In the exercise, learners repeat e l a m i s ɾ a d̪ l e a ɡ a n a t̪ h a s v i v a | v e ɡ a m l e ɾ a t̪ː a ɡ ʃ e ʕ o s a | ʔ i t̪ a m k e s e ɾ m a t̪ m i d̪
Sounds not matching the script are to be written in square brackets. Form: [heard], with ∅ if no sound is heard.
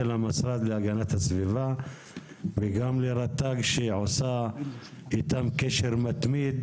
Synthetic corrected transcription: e l a m [a] s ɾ a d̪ l e a ɡ a n a t̪ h a s v i v a | v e ɡ a m l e ɾ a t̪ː a ɡ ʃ e ʕ o s a | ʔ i t̪ a m k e [ʃ] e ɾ m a t̪ m i d̪